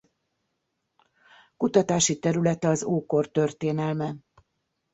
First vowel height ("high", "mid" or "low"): high